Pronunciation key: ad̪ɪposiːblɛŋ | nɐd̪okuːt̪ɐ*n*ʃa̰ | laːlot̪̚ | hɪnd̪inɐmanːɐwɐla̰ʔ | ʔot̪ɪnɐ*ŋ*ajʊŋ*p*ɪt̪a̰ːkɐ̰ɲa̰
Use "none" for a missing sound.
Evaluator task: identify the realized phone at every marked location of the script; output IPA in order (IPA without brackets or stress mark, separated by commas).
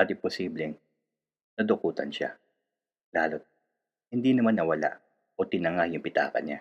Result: n, ŋ, p